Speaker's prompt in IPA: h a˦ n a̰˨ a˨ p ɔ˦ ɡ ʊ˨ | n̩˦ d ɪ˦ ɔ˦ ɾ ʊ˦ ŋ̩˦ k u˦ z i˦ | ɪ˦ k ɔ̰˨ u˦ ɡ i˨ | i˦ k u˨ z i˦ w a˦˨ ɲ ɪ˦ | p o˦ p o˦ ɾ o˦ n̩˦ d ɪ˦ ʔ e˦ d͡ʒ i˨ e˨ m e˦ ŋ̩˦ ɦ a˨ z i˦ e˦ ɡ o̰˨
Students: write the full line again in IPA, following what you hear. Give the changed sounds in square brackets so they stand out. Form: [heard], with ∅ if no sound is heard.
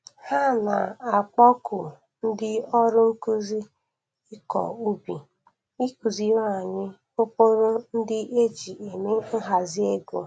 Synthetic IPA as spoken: h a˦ n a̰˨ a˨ [k͡p] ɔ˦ [k] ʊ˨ | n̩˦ d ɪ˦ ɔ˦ ɾ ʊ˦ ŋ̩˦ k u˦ z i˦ | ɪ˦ k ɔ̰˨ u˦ [b] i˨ | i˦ k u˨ z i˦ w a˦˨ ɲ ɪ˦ | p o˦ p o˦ ɾ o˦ n̩˦ d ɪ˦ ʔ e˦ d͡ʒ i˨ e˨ m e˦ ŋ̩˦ ɦ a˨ z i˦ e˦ ɡ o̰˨